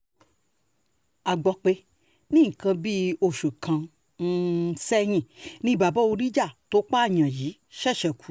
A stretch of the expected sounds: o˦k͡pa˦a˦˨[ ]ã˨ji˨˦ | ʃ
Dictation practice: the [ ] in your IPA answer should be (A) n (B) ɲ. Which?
B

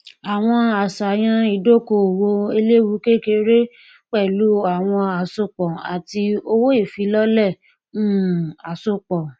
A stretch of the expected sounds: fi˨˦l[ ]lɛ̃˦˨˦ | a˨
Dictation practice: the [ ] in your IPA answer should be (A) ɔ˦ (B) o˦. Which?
A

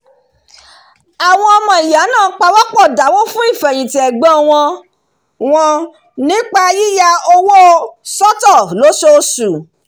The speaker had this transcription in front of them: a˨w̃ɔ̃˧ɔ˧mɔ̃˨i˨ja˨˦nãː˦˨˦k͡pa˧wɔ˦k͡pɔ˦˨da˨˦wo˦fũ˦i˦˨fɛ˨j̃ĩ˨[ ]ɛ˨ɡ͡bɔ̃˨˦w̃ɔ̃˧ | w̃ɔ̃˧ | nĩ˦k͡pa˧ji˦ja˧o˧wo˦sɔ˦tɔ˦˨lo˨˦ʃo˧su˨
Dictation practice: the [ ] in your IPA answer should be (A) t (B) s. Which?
A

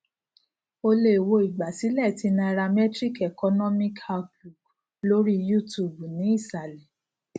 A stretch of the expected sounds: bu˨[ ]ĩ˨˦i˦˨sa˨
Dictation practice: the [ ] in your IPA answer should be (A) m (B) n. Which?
B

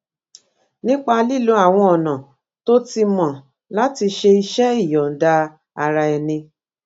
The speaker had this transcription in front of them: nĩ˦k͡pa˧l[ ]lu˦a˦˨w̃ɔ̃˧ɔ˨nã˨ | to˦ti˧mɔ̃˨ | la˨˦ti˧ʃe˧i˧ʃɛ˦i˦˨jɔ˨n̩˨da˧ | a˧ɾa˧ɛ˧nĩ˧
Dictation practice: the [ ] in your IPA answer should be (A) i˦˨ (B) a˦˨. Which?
A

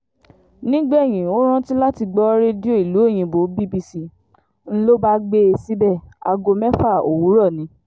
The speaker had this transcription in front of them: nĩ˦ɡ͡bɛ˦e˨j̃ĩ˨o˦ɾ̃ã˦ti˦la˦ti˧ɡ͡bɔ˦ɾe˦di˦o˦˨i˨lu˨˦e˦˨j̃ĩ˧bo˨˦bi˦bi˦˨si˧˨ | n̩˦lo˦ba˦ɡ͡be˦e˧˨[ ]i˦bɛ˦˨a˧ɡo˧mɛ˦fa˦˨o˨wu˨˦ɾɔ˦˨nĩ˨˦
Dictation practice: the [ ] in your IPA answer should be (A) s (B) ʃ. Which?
A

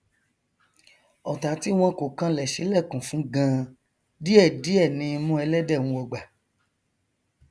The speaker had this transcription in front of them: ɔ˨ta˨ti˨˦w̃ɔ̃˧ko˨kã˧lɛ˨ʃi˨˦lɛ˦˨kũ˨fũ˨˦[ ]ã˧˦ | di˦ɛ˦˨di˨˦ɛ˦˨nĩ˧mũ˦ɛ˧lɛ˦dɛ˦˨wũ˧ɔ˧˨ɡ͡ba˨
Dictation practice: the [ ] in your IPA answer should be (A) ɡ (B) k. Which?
A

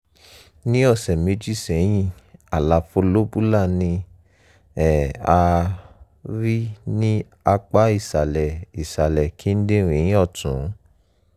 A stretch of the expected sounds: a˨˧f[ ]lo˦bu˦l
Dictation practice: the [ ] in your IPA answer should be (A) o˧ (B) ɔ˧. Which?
A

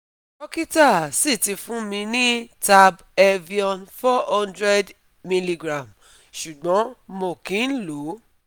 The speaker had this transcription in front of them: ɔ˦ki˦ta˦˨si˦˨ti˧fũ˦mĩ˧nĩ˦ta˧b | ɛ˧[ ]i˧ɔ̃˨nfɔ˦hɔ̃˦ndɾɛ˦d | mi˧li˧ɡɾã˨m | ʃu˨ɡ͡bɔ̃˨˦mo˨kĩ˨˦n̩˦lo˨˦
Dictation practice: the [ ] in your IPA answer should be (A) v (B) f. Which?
A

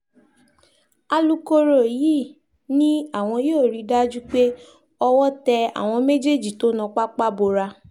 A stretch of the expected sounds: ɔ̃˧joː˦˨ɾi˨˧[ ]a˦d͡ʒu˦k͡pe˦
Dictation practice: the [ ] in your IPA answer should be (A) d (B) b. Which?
A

